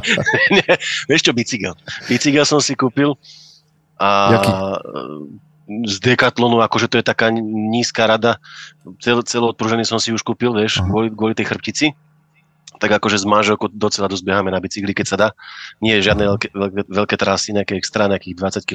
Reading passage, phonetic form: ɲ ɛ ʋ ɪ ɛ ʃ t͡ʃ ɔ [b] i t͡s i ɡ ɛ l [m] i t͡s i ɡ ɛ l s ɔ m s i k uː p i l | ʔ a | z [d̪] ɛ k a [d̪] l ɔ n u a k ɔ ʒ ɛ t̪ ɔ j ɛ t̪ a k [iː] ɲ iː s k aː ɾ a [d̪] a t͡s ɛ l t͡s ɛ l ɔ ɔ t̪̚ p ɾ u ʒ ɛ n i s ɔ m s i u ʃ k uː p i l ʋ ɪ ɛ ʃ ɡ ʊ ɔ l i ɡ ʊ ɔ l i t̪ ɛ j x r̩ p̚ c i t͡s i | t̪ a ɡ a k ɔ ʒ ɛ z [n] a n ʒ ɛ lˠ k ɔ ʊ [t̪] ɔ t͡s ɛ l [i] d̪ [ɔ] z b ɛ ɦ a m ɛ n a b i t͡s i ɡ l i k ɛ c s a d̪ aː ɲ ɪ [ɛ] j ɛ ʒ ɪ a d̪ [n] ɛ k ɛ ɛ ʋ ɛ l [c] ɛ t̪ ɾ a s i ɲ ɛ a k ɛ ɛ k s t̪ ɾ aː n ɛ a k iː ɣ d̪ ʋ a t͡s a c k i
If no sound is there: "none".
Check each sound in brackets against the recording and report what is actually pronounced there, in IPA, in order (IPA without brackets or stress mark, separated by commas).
b, b, d̪, t̪, aː, d̪, m, d̪, a, ɔ, ɛ, n, k